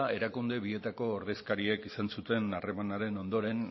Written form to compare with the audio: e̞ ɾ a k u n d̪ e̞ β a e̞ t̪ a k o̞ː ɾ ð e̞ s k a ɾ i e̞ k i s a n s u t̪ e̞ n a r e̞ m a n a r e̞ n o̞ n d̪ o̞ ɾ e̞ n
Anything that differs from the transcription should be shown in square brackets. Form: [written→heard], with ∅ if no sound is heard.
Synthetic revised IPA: e̞ ɾ a k u n d̪ e̞ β [a→i] e̞ t̪ a k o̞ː ɾ ð e̞ s k a ɾ i e̞ k i s a n s u t̪ e̞ n a r e̞ m a n a [r→ɾ] e̞ n o̞ n d̪ o̞ ɾ e̞ n